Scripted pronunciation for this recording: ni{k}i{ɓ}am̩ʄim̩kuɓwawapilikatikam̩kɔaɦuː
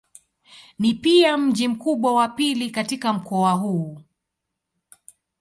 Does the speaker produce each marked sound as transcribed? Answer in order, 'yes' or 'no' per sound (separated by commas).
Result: no, no